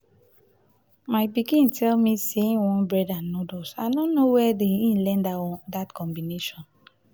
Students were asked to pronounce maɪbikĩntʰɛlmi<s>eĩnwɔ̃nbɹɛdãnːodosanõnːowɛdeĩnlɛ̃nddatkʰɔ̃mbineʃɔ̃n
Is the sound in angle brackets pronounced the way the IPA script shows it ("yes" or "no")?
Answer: yes